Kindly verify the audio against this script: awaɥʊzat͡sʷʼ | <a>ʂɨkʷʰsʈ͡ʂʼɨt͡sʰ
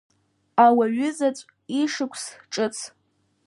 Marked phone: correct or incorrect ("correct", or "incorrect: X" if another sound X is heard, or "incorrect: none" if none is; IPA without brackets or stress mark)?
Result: incorrect: i